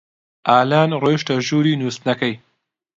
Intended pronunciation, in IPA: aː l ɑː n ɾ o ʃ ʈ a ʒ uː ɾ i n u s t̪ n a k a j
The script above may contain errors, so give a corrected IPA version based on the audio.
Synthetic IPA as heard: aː l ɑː n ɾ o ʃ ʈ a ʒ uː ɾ i n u s t̪ n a k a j